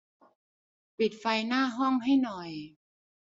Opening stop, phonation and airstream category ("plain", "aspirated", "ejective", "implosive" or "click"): plain